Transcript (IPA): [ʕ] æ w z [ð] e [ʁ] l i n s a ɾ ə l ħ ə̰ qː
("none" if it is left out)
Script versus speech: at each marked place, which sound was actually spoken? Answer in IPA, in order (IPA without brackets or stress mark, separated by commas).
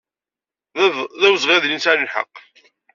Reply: ð, ʁ, ð